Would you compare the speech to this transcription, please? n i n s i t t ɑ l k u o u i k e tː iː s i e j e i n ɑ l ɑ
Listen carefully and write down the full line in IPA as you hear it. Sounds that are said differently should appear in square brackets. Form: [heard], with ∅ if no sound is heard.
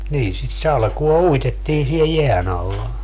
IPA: n [iː] n s i t [s] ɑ l k u o u i [t] e tː iː s i e j e [æ] n ɑ [lː] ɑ